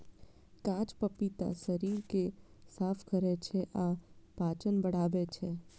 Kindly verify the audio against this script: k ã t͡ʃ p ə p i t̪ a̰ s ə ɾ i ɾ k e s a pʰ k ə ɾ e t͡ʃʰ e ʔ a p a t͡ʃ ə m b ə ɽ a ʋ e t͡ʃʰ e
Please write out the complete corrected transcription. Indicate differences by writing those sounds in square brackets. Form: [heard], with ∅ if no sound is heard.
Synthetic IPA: k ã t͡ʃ p ə p i t̪ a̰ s ə ɾ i ɾ k e s a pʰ k ə ɾ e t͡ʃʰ e ʔ a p a t͡ʃ ə [n] b ə ɽ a ʋ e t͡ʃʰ e